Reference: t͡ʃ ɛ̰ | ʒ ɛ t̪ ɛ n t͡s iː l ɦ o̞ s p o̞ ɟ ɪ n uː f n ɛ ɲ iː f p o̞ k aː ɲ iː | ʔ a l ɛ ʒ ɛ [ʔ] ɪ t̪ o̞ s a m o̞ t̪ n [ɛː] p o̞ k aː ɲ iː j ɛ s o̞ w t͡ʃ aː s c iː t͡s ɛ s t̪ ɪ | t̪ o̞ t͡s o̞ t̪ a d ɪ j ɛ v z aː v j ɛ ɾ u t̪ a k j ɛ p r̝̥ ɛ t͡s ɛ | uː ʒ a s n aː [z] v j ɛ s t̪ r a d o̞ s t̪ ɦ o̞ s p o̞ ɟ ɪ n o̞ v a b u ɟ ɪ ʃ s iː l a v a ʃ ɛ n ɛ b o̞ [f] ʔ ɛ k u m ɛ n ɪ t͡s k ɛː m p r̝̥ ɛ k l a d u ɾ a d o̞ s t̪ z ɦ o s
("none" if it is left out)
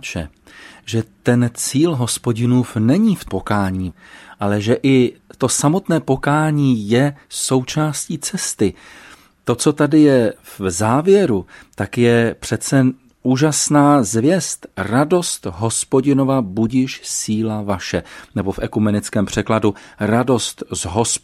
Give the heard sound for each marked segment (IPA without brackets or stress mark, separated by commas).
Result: ʔ, ɛː, z, f